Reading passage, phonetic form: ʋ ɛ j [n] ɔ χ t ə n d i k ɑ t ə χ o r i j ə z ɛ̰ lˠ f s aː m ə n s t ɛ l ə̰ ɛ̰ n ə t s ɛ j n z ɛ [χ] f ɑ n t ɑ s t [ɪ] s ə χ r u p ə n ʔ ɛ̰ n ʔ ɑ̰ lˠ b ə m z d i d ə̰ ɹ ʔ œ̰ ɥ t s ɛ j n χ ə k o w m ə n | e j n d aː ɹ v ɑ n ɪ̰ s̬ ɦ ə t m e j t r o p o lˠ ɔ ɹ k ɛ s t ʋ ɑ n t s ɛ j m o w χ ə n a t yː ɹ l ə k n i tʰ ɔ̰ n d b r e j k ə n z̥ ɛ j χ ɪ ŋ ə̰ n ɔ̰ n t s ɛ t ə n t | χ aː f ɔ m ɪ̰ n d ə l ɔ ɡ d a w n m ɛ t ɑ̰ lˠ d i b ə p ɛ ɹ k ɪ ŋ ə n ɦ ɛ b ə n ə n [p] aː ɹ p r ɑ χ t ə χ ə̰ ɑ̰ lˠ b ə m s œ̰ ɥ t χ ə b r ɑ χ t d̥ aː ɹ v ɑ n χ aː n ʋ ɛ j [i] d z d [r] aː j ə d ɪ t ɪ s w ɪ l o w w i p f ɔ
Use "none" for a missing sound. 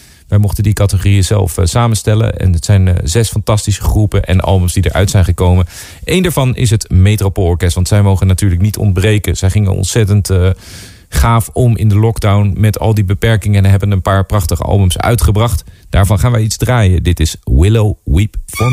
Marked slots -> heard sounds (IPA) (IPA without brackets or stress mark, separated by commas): m, s, i, p, i, r